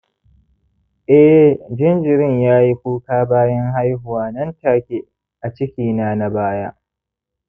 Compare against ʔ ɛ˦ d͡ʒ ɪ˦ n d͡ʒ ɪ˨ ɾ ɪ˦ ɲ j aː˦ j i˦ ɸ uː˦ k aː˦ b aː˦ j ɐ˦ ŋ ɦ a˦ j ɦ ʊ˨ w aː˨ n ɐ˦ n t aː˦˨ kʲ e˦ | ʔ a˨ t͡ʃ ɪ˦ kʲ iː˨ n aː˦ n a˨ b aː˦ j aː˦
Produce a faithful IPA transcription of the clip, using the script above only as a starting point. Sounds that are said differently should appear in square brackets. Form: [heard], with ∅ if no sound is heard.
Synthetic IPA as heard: ʔ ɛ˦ d͡ʒ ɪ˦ n d͡ʒ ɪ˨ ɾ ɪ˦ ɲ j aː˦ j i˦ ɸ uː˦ k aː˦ b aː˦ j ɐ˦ ŋ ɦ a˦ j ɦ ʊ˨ w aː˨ n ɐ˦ n t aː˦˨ kʲ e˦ | ʔ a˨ t͡ʃ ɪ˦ kʲ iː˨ n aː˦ n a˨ b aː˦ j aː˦